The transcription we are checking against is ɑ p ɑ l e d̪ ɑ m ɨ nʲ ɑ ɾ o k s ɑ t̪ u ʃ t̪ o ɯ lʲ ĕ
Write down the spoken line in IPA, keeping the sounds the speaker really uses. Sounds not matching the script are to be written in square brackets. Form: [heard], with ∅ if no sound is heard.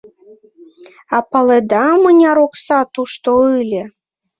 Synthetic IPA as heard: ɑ p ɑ l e d̪ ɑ m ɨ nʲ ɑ ɾ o k s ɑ t̪ u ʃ t̪ o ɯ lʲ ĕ